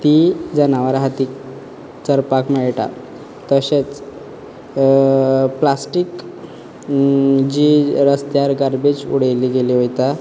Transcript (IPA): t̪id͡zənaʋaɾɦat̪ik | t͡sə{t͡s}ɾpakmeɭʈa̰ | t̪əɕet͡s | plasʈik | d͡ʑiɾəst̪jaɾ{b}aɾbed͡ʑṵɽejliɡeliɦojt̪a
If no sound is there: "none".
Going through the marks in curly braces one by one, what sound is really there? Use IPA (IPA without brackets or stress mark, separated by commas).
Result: none, ɡ